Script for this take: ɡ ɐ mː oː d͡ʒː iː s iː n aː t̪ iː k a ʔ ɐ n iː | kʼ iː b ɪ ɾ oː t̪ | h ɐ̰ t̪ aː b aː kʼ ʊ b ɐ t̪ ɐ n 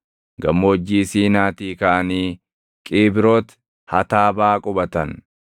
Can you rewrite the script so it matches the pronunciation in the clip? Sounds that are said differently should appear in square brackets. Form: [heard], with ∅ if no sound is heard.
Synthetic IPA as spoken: ɡ ɐ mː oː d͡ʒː iː s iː n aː t̪ iː k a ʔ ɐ n iː | kʼ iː b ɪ ɾ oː t̪ | h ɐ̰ t̪ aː b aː kʼ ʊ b ɐ t̪ ɐ n